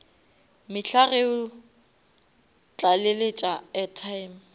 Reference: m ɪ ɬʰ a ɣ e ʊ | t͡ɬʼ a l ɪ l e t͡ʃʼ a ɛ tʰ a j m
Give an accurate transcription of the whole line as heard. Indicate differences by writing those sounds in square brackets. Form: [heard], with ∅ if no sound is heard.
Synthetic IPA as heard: m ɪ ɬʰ a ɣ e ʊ | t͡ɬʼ a l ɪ l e t͡ʃʼ a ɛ tʰ a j m